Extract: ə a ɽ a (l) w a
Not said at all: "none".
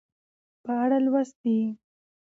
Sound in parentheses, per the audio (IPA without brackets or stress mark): l